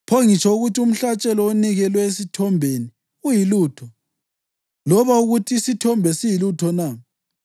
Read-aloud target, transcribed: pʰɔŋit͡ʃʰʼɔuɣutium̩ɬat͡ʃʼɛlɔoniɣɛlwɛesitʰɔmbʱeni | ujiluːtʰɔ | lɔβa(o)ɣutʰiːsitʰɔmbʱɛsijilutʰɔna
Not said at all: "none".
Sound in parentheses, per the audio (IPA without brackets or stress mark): u